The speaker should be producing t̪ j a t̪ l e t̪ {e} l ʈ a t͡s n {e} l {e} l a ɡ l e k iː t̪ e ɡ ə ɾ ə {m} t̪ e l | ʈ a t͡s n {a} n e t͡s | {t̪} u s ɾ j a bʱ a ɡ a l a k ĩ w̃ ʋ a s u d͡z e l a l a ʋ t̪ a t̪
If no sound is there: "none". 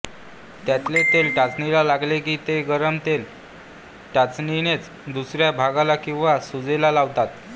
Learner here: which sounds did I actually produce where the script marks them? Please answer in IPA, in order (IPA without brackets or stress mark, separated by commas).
e, i, a, m, i, d̪